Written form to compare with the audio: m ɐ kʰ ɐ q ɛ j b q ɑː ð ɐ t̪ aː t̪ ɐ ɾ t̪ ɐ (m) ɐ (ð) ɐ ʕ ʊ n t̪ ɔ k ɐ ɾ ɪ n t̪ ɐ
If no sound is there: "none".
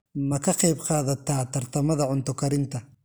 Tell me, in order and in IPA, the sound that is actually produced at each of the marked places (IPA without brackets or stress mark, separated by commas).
m, ð